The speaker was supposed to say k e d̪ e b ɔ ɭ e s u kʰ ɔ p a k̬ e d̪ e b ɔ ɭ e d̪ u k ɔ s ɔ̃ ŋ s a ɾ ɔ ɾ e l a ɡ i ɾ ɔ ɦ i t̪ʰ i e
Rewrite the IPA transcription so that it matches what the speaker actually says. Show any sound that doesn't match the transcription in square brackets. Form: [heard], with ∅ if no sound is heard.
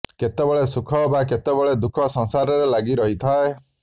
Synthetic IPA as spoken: k e [t̪] e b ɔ ɭ e s u kʰ ɔ [b] a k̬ e [t̪] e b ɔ ɭ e d̪ u [kʰ] ɔ s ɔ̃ ŋ s a ɾ ɔ ɾ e l a ɡ i ɾ ɔ ɦ i t̪ʰ [a] e